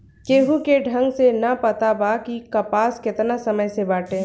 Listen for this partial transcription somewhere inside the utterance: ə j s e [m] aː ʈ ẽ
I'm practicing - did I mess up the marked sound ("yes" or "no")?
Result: yes